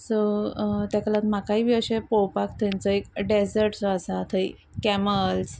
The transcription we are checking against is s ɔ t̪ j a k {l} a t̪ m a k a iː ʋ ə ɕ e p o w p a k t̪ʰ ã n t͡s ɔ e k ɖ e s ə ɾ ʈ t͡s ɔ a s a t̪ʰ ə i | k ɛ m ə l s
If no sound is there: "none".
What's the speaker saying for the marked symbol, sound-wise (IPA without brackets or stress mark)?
l